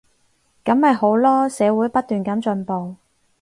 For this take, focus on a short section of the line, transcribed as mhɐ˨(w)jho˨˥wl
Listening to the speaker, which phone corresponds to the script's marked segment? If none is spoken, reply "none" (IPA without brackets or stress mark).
none